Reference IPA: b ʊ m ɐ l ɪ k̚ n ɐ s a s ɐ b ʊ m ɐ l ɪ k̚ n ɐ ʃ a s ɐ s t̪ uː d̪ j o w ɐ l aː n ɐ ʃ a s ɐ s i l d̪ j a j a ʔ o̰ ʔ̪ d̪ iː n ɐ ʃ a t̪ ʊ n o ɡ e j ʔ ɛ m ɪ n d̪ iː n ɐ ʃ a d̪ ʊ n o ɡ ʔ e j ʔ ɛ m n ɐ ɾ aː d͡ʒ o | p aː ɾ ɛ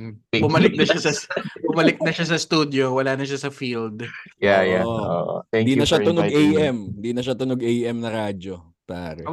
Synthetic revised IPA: b ʊ m ɐ l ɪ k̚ n ɐ ʃ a s ɐ b ʊ m ɐ l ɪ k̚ n ɐ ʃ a s ɐ s t̪ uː d̪ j o w ɐ l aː n ɐ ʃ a s ɐ f i l d̪ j a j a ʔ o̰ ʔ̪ d̪ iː n ɐ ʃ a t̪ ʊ n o ɡ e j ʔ ɛ m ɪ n d̪ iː n ɐ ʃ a t̪ ʊ n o ɡ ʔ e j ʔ ɛ m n ɐ ɾ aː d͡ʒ o | p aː ɾ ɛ